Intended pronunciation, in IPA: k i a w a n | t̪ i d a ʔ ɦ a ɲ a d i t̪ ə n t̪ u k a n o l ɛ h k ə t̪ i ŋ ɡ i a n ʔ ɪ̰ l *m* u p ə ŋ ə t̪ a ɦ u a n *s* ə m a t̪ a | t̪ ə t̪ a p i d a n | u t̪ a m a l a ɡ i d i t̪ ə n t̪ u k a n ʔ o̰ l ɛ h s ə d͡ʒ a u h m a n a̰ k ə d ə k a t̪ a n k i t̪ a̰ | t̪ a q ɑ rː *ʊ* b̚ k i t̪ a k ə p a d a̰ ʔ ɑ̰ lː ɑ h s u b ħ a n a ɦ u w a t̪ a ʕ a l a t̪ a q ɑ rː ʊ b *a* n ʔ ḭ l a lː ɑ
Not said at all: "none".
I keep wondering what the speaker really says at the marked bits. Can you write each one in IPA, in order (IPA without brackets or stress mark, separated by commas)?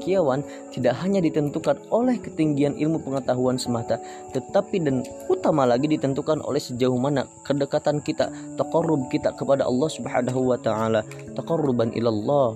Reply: m, s, ʊ, a